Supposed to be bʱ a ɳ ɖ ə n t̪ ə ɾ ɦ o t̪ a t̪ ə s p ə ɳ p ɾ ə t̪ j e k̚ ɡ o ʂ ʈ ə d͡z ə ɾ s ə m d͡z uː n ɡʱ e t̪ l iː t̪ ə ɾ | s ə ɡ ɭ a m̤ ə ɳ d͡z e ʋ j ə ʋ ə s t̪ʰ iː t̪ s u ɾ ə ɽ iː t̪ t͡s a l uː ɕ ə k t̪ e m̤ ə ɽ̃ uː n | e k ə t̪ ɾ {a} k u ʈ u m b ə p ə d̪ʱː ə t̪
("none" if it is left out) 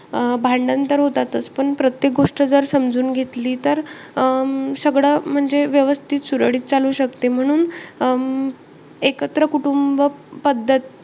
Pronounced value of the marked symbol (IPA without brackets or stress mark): ə